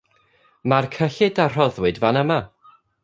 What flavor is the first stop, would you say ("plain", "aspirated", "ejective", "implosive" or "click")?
aspirated